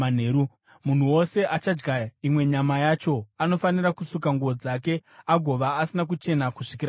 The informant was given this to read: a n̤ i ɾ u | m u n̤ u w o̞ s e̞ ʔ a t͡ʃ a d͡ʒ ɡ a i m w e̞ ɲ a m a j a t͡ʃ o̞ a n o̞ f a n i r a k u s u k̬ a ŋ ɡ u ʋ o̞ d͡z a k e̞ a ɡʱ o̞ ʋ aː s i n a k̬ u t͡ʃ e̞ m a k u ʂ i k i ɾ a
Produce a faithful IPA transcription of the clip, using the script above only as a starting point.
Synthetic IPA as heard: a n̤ e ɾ u | m u n̤ u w o̞ s e̞ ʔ a t͡ʃ a d͡ʒ ɡ a i m w e̞ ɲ a m a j a t͡ʃ o̞ a n o̞ f a n i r a k u s u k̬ a ŋ ɡ u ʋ o̞ d͡z a k e̞ a ɡʱ o̞ ʋ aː s i n a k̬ u t͡ʃ e̞ n a k u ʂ i k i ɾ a